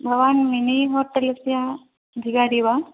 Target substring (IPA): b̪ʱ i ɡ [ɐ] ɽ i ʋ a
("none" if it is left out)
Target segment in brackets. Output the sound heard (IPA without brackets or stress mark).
a